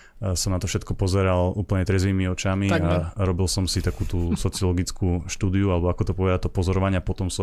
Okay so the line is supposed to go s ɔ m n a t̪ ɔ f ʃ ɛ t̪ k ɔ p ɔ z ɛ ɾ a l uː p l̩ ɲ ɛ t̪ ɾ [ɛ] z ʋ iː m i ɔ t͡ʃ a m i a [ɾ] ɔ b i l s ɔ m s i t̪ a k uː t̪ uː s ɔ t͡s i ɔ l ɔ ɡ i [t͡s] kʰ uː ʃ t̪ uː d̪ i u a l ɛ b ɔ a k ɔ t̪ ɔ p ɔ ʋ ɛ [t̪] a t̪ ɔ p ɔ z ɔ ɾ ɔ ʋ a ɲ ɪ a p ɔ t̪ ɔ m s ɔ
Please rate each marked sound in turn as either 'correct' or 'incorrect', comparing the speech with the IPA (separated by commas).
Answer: correct, correct, correct, incorrect